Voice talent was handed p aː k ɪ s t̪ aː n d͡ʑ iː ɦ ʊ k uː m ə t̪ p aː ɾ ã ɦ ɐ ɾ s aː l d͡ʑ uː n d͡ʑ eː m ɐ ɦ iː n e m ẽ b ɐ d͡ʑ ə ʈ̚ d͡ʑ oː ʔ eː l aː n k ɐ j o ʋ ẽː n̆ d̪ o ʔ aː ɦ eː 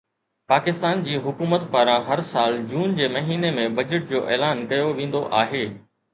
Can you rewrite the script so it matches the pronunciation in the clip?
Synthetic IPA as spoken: p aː k ɪ s t̪ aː n d͡ʑ iː ɦ ʊ k uː m ə t̪ p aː ɾ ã ɦ ɐ ɾ s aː l d͡ʑ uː n d͡ʑ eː m ɐ ɦ iː n e m ẽ b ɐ d͡ʑ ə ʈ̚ d͡ʑ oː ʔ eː l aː n k ɐ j o ʋ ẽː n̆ d̪ o ʔ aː ɦ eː